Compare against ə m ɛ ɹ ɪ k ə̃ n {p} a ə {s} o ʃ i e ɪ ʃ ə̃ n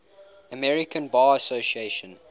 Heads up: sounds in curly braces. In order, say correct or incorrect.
incorrect: b, correct

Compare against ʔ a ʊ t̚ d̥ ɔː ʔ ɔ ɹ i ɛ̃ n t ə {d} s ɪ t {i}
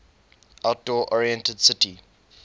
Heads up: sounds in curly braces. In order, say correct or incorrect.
correct, correct

